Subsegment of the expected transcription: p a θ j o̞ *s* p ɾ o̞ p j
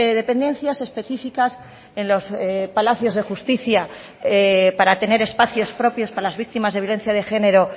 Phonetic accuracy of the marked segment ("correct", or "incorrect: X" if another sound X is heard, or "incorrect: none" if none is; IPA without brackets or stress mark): correct